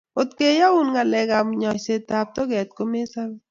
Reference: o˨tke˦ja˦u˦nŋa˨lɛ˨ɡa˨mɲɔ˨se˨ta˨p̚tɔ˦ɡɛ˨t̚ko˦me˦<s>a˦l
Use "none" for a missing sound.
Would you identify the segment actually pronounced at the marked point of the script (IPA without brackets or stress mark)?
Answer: s